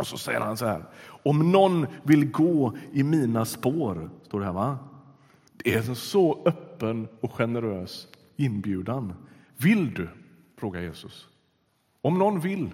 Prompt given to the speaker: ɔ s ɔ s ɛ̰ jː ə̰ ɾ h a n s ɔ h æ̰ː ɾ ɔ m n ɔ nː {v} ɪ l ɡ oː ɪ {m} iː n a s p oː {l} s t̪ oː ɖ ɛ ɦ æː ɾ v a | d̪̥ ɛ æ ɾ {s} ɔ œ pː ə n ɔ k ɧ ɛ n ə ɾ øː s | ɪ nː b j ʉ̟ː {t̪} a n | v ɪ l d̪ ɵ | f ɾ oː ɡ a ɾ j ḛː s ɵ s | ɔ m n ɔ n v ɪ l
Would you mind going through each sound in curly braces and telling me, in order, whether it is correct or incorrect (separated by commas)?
correct, correct, incorrect, correct, incorrect